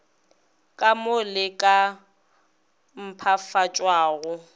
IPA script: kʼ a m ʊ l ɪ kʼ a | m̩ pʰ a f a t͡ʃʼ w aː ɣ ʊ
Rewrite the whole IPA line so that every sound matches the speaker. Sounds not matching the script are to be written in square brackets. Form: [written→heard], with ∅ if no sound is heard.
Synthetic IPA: kʼ a m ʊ l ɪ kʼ a | m̩ pʰ a f a t͡ʃʼ w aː ɣ ʊ

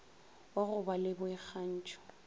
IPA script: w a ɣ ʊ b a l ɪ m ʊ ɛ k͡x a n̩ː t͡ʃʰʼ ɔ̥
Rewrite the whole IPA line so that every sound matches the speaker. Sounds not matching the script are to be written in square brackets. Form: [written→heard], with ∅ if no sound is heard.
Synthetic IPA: w a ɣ ʊ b a l ɪ [m→b] ʊ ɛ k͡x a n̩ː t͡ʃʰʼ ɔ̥

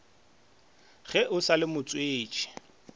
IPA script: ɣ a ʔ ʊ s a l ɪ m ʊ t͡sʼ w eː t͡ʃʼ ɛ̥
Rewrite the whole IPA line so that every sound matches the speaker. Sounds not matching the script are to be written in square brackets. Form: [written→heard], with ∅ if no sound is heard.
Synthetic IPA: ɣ [a→ɛ] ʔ ʊ s a l ɪ m ʊ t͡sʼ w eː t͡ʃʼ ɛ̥

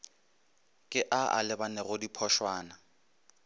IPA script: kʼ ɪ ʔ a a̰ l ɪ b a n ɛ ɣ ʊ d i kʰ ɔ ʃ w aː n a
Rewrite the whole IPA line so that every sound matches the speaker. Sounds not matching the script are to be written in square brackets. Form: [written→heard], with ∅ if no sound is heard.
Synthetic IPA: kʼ ɪ ʔ a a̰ l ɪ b a n ɛ ɣ ʊ d i [kʰ→pʰ] ɔ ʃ w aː n a

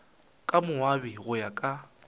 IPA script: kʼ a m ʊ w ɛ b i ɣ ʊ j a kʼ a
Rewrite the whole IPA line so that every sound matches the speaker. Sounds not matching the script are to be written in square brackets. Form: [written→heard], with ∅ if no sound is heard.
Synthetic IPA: kʼ a m ʊ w [ɛ→a] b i ɣ ʊ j a kʼ a

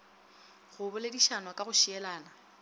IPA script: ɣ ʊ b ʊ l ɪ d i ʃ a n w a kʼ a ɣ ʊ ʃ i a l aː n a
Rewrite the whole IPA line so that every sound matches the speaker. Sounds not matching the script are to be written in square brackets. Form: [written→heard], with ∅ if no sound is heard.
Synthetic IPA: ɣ ʊ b ʊ l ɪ d i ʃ a n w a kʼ a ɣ ʊ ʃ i [a→ɛ] l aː n a

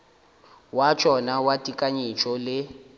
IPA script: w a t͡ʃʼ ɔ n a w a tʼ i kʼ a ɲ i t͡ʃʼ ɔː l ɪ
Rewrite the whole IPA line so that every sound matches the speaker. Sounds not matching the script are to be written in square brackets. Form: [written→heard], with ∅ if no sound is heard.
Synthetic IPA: w a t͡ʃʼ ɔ n a w a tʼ i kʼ a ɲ i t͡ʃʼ [ɔː→ɔ] l ɪ

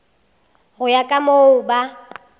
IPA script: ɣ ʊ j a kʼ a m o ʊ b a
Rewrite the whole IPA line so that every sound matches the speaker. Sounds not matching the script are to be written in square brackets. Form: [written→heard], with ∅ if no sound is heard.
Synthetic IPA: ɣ ʊ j a kʼ a m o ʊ b a

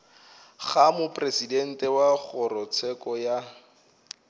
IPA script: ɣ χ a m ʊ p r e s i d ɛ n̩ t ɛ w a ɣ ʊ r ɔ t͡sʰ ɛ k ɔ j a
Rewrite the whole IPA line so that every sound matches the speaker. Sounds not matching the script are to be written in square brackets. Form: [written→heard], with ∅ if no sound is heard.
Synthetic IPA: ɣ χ a m ʊ p r e s i d ɛ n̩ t ɛ w a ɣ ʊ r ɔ t͡sʰ ɛ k ɔ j a

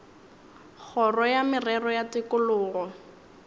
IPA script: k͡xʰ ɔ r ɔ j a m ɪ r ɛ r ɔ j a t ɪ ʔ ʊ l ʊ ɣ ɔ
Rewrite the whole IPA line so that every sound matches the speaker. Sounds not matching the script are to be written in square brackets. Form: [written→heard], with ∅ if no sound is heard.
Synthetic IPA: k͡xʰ ɔ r ɔ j a m ɪ r ɛ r ɔ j a t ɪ [ʔ→k] ʊ l [ʊ→ʊː] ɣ ɔ

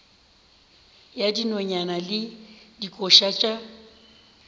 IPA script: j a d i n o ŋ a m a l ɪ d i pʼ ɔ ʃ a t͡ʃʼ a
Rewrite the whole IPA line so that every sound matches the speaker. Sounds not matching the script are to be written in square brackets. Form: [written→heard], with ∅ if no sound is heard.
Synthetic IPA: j a d i n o [ŋ→ɲ] a [m→n] a l ɪ d i [pʼ→kʼ] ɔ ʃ a t͡ʃʼ a

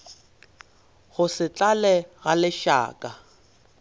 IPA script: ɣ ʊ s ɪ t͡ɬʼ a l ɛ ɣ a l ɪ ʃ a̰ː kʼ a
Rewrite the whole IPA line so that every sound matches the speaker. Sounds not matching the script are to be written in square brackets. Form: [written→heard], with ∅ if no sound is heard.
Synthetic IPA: ɣ ʊ s ɪ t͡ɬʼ a l ɛ ɣ a l ɪ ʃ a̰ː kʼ a

